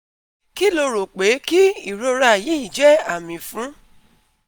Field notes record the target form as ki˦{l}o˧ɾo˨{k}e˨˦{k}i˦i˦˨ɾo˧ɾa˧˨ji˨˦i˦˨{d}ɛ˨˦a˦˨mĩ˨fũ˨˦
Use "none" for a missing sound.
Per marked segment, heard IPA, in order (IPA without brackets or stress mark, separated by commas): l, k͡p, k, d͡ʒ